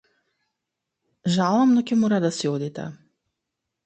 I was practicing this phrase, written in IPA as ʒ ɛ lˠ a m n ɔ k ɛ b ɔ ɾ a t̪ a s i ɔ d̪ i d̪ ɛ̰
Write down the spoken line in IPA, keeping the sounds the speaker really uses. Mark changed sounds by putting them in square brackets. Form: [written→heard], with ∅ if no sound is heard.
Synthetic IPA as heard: ʒ [ɛ→a] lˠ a m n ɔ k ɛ [b→m] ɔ ɾ a [t̪→d̪] a s i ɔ d̪ i [d̪→t̪] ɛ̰